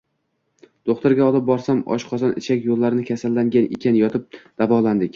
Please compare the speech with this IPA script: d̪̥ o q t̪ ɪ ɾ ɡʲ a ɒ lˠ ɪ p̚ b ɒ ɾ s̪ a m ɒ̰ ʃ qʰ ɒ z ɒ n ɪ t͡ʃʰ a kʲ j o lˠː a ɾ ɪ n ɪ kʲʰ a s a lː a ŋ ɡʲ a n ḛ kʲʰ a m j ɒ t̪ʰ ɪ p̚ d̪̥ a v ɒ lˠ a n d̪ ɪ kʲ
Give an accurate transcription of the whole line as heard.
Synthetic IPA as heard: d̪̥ o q t̪ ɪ ɾ ɡʲ a ɒ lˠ ɪ p̚ b ɒ ɾ s̪ a m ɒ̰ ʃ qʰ ɒ z ɒ n ɪ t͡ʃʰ a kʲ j o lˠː a ɾ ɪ n ɪ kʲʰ a s a lː a ŋ ɡʲ a n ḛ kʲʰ a n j ɒ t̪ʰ ɪ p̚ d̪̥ a v ɒ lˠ a n d̪ ɪ kʲ